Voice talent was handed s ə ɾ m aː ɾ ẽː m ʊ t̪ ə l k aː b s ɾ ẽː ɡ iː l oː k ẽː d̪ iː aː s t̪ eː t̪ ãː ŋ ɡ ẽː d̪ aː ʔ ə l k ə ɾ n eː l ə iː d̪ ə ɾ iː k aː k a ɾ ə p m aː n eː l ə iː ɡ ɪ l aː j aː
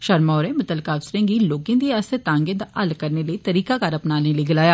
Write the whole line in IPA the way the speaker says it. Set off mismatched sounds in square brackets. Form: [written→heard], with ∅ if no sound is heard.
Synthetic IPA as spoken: [s→ʃ] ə ɾ m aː ɾ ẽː m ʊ t̪ ə l k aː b s ɾ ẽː ɡ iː l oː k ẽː d̪ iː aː s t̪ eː t̪ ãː ŋ ɡ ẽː d̪ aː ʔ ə l k ə ɾ n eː l ə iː [d̪→t̪] ə ɾ iː k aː k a ɾ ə p [m→n] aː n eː l ə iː ɡ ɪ l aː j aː